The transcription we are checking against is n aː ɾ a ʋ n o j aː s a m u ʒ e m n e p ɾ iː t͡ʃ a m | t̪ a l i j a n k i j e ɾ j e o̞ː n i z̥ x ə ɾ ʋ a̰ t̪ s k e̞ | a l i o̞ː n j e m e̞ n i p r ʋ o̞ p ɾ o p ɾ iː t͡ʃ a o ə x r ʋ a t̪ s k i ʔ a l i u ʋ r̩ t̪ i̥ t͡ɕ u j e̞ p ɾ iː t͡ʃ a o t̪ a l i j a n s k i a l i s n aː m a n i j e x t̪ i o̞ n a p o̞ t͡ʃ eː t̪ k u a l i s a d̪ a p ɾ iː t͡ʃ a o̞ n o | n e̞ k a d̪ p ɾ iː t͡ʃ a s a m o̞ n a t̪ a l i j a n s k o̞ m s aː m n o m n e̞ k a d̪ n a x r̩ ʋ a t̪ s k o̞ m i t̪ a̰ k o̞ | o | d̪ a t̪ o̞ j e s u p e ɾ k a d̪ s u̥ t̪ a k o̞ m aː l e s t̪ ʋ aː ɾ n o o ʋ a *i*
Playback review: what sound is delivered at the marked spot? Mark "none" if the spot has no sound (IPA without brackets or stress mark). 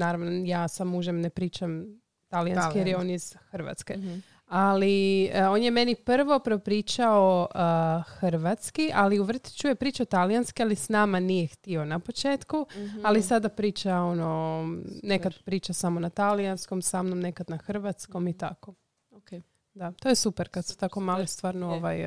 j